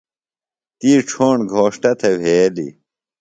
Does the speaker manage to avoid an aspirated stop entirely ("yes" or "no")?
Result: no